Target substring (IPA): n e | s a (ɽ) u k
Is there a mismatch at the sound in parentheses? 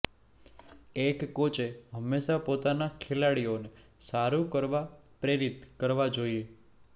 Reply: yes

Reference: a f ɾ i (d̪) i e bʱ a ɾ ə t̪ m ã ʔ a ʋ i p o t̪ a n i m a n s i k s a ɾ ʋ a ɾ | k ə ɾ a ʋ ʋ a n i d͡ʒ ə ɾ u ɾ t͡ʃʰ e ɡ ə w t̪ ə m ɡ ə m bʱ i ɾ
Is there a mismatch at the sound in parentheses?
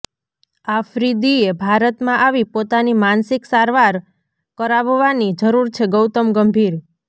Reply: no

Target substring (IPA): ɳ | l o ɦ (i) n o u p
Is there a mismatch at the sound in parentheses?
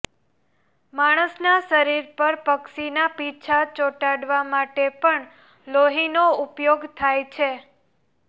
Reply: no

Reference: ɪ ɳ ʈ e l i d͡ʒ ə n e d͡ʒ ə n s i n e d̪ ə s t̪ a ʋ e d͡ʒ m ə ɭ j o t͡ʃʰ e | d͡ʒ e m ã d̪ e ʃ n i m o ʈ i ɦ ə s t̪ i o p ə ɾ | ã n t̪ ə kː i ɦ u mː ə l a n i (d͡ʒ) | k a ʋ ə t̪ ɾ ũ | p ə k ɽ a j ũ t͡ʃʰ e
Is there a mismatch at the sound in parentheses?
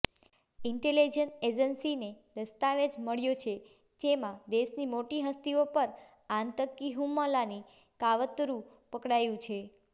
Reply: yes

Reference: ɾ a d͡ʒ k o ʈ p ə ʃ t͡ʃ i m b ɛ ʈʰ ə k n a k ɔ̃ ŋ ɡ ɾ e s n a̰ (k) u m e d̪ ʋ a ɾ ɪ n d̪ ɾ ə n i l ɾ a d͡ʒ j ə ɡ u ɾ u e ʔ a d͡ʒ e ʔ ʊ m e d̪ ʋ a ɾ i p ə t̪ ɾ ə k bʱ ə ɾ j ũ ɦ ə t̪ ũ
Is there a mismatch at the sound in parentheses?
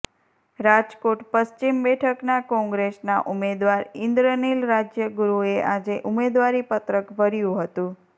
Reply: yes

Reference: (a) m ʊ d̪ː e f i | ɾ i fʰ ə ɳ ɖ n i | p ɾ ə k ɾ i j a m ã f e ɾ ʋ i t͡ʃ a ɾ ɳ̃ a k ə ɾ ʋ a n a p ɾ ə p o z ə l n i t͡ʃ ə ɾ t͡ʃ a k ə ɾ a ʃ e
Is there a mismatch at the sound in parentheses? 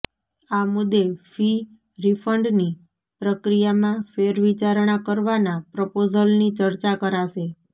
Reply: no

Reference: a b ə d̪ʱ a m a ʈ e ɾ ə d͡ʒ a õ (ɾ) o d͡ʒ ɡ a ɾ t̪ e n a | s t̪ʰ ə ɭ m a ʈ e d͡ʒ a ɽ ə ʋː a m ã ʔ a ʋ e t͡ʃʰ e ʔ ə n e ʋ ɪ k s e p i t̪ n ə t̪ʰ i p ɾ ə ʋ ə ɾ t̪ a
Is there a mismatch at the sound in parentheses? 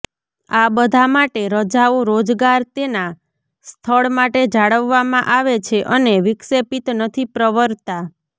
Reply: no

